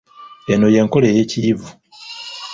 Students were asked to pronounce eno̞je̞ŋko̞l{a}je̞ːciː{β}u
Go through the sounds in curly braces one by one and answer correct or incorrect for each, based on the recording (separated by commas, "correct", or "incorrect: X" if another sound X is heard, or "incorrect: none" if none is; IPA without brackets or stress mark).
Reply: incorrect: e, incorrect: v